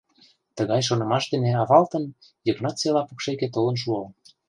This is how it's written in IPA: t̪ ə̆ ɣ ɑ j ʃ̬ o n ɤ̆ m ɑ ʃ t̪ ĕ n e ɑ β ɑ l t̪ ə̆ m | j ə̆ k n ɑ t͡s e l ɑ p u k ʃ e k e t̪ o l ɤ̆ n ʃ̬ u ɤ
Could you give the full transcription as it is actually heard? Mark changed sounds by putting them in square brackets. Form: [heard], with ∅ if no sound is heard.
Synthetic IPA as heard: t̪ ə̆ ɣ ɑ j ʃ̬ o n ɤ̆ m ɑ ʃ [d̪] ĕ n e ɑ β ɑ l t̪ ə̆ [n] | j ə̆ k n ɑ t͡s e l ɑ p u k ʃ e k e t̪ o l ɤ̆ n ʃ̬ u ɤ